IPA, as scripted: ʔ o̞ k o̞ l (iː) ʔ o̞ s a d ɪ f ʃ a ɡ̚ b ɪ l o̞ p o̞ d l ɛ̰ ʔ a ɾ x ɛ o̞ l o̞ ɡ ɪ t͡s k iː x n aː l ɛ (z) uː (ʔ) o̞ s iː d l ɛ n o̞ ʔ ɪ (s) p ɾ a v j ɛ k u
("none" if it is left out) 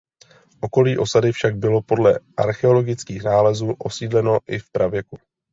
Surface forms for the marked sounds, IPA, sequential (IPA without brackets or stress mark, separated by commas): iː, z, ʔ, f